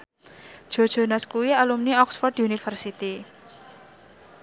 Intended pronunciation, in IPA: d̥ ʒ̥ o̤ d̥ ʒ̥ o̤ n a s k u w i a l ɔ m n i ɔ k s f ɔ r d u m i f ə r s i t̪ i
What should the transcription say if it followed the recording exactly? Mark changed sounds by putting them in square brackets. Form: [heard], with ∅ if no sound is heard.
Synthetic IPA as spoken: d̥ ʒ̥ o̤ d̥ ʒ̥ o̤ n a s k u w i a l [u] m n i ɔ k s f ɔ r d u [n] i f ə r s i t̪ i